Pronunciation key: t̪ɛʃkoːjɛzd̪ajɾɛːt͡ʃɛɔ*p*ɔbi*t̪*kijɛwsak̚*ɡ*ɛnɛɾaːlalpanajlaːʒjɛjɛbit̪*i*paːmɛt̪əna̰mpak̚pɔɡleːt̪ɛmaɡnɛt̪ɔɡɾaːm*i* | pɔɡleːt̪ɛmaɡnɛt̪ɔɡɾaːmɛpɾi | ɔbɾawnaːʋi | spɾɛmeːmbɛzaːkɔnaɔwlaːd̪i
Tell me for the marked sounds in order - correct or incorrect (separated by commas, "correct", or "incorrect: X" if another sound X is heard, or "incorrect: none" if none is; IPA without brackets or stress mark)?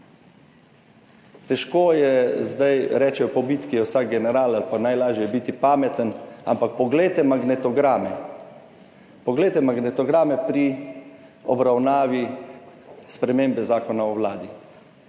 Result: correct, correct, correct, correct, incorrect: ɛ